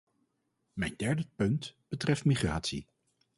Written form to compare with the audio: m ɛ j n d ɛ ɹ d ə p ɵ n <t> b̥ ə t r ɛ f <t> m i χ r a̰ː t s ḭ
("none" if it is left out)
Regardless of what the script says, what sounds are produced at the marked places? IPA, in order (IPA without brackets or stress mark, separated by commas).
t, t